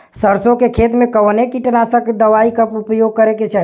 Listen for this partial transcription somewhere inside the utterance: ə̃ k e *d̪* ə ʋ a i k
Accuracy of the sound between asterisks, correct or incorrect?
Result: correct